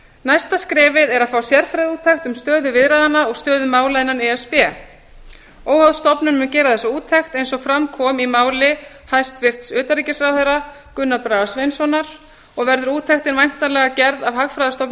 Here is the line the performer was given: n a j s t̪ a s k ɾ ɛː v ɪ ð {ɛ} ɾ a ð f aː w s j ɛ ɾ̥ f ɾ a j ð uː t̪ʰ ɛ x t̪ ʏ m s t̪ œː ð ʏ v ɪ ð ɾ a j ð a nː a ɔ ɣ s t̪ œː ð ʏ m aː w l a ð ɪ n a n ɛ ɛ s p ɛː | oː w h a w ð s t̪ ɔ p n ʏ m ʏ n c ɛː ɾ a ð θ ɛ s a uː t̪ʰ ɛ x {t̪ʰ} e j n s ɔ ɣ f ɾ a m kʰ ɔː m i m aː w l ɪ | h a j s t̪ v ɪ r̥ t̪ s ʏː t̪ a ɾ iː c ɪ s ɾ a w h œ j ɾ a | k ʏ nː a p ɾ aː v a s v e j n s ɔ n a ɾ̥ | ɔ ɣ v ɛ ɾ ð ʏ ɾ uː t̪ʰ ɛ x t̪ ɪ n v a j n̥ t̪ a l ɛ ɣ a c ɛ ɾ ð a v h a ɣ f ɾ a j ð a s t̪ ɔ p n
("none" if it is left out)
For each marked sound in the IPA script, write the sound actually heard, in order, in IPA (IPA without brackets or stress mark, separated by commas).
ɛ, t̪